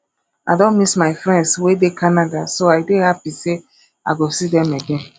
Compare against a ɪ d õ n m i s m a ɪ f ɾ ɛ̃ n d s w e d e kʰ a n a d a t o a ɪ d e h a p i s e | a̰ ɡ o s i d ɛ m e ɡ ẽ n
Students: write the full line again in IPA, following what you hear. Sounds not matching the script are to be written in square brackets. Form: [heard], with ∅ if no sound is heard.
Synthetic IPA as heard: a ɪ d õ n m i s m a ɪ f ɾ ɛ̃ n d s w e d e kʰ a n a d a [s] o a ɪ d e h a p i s e | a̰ ɡ o s i d ɛ m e ɡ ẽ n